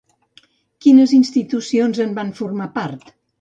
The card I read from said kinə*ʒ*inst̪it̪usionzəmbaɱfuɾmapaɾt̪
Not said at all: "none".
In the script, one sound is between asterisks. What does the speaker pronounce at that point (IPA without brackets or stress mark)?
z